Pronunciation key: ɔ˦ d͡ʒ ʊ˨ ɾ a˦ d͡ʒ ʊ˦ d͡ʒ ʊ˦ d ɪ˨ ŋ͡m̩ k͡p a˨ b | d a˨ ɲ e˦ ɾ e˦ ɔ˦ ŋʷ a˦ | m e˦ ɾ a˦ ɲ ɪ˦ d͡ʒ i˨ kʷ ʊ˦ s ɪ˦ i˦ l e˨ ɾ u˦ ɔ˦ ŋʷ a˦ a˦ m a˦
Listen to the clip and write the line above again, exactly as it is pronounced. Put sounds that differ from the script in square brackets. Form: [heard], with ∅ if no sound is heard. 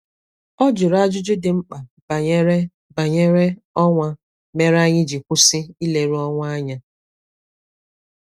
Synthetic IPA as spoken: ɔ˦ d͡ʒ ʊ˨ ɾ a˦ d͡ʒ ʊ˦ d͡ʒ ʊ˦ d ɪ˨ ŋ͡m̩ k͡p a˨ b | [b] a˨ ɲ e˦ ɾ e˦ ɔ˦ ŋʷ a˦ | m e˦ ɾ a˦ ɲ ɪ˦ d͡ʒ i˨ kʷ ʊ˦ s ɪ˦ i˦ l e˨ ɾ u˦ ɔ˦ ŋʷ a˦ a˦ [ɲ] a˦